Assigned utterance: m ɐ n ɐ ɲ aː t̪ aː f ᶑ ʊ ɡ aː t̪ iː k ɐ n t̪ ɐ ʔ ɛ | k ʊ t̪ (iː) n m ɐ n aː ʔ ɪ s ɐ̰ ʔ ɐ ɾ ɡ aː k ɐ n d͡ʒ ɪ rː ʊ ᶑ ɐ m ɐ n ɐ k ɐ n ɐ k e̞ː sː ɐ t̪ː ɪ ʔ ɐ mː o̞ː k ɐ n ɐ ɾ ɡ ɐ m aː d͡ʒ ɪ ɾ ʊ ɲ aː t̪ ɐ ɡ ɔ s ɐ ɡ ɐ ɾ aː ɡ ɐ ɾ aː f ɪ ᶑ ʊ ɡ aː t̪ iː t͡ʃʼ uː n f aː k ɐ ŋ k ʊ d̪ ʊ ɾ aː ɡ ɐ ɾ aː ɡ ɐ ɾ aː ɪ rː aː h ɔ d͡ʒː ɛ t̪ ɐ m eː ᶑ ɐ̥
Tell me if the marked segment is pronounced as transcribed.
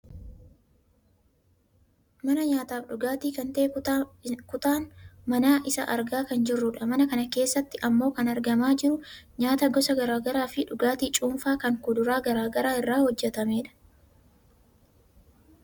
no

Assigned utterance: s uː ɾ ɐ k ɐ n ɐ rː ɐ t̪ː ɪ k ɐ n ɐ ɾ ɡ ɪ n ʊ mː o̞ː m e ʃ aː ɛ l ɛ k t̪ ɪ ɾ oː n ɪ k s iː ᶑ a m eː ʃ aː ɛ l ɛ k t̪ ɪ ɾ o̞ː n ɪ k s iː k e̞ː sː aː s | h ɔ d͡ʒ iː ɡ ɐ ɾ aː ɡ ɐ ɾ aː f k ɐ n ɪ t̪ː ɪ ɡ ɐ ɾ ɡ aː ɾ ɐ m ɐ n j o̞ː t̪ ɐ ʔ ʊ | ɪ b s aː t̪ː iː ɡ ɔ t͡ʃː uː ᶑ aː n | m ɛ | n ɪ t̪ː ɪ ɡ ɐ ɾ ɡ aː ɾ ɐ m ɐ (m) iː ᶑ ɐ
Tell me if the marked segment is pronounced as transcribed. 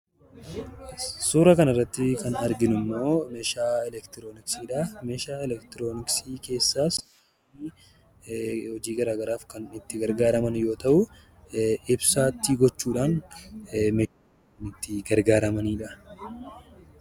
no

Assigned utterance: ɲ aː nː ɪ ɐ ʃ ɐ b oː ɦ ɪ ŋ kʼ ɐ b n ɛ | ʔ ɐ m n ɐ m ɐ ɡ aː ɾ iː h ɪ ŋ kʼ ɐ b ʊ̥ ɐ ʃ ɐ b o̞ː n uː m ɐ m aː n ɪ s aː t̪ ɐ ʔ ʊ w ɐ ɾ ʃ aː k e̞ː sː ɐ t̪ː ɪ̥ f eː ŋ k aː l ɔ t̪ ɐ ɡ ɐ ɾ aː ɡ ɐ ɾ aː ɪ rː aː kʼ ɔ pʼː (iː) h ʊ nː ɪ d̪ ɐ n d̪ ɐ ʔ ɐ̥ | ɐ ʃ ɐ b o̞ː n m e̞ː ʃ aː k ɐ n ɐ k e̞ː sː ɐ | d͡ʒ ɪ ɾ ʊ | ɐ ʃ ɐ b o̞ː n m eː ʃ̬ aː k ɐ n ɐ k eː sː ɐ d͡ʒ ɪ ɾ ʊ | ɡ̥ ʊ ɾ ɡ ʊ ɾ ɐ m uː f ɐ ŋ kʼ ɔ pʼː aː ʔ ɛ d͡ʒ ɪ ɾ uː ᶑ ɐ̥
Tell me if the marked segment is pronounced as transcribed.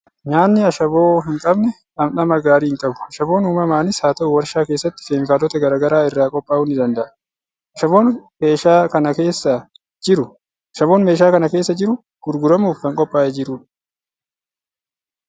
no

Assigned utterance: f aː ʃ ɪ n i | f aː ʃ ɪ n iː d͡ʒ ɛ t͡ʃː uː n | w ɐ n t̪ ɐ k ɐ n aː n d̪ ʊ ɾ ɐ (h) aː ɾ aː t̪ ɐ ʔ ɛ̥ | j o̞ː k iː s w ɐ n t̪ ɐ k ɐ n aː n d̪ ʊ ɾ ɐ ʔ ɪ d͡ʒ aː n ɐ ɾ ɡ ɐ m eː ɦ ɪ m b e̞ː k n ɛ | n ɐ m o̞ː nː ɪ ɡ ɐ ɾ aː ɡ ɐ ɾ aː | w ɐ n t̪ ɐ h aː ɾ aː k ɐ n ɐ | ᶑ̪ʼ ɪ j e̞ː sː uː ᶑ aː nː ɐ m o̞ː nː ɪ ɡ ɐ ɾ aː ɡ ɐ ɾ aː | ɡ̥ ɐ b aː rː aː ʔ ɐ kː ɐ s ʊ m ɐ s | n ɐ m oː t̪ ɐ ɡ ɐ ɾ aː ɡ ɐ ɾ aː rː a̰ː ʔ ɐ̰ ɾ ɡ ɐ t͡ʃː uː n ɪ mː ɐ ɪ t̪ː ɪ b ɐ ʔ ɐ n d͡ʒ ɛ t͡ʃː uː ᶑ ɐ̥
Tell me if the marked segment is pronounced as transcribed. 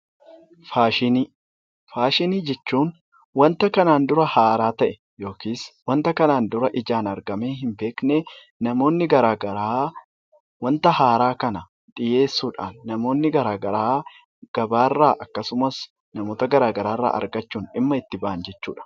yes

